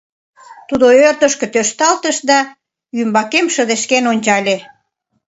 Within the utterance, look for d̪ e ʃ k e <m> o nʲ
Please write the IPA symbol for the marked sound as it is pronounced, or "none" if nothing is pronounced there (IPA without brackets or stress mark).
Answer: n